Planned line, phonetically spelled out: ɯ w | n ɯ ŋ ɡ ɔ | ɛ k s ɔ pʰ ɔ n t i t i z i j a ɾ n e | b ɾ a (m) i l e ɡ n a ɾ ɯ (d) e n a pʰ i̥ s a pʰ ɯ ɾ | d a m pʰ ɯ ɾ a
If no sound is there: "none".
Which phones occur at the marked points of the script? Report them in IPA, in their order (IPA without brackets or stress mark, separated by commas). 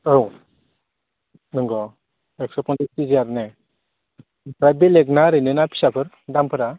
b, n